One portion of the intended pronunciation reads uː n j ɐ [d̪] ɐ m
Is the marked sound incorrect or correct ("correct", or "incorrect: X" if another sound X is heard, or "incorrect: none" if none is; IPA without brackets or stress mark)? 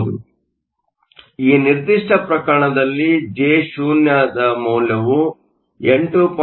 correct